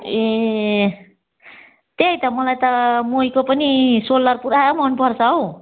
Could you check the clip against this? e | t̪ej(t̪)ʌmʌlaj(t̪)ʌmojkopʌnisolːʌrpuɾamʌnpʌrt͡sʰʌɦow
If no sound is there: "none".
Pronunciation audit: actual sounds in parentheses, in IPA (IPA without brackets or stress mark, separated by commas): t̪, t̪